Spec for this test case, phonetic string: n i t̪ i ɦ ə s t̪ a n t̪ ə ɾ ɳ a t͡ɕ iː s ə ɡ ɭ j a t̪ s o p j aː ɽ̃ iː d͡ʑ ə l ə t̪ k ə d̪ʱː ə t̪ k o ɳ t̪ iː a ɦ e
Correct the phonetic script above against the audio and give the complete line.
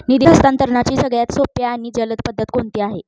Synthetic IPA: n i d̪ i ɦ ə s t̪ a n t̪ ə ɾ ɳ a t͡ɕ iː s ə ɡ ɭ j a t̪ s o p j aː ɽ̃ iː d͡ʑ ə l ə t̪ p ə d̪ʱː ə t̪ k o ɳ t̪ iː a ɦ e